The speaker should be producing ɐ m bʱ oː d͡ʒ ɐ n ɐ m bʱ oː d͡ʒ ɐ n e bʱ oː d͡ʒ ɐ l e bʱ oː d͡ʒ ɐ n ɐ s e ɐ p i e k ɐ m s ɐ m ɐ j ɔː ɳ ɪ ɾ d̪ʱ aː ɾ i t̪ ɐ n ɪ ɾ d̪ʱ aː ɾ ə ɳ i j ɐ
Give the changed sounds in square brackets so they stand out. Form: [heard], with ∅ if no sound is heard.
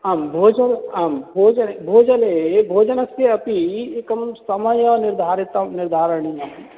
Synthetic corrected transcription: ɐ m bʱ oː d͡ʒ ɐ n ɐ m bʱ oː d͡ʒ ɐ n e bʱ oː d͡ʒ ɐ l e bʱ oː d͡ʒ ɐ n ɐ s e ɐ p i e k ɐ m s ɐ m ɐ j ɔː [n] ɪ ɾ d̪ʱ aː ɾ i t̪ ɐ n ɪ ɾ d̪ʱ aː ɾ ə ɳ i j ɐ